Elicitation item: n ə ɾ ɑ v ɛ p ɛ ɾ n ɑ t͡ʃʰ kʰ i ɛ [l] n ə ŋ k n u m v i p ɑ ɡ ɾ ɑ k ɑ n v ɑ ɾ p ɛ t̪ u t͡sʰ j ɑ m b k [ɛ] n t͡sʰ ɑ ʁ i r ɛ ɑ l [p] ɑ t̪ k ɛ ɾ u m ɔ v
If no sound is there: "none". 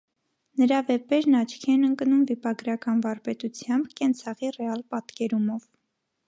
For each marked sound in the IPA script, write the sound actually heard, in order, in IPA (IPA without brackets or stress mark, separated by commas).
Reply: none, ɛ, p